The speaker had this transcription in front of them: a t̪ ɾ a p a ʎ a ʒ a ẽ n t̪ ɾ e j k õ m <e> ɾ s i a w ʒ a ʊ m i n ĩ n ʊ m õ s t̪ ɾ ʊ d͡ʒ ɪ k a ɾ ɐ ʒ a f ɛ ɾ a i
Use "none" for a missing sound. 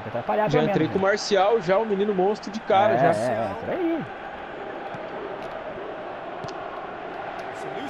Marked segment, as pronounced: a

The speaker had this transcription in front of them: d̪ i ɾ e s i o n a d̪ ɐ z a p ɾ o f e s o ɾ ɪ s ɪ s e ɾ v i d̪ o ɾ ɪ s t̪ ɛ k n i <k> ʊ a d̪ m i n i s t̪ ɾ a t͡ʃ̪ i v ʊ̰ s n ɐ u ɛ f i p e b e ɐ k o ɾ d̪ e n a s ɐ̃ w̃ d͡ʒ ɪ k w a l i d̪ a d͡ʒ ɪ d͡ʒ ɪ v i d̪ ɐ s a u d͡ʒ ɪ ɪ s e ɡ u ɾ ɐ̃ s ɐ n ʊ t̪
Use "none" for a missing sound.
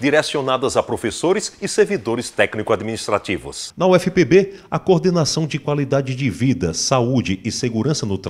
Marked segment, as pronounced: k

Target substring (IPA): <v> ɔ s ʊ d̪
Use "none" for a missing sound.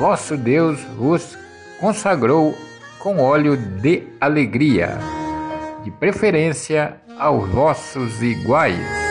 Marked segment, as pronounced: v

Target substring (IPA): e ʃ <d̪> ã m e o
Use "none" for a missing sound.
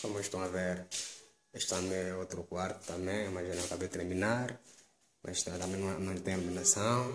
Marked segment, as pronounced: t̪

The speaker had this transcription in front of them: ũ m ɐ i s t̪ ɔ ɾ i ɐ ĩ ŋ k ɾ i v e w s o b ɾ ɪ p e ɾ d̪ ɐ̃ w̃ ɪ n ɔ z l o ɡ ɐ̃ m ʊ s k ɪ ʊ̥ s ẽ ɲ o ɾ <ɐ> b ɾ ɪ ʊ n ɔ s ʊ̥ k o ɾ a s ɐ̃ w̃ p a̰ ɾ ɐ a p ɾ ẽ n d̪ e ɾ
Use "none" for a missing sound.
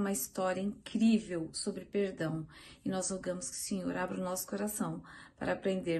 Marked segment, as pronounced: a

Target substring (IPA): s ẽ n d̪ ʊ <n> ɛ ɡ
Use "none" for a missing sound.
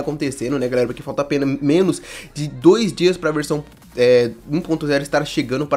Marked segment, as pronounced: n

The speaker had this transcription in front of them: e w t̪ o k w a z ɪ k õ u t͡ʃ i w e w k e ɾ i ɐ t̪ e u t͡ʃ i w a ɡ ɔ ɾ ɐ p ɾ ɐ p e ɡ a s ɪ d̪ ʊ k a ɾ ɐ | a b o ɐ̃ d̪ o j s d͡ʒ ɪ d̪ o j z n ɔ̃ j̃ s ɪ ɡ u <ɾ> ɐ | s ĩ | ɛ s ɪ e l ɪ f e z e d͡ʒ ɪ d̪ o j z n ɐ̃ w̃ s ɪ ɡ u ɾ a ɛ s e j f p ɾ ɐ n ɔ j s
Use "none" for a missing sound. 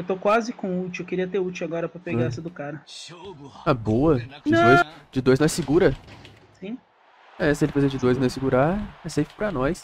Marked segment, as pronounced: ɾ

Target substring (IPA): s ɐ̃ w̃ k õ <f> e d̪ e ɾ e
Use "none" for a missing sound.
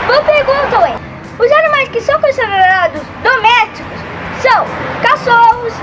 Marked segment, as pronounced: s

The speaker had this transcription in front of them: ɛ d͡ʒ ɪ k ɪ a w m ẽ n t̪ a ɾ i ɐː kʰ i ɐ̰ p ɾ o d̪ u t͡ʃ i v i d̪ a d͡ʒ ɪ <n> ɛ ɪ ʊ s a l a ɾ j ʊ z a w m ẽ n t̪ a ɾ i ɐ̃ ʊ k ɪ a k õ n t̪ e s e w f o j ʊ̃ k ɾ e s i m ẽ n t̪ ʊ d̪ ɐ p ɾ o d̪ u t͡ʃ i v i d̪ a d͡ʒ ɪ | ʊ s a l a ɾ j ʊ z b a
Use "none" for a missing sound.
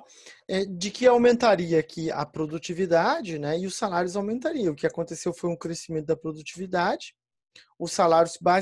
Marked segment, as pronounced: n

